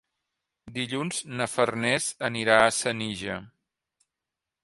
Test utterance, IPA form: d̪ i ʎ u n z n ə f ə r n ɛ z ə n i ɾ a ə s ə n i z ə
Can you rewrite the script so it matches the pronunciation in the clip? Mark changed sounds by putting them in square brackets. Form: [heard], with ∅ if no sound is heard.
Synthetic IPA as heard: d̪ i ʎ u n z n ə f ə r n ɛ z ə n i ɾ a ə s ə n i [ʒ] ə